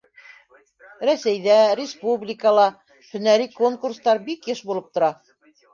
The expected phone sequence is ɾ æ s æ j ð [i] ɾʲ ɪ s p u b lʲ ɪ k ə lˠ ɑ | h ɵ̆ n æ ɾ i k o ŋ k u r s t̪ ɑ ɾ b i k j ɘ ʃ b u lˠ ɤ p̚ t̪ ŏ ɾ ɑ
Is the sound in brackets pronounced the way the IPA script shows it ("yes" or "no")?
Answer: no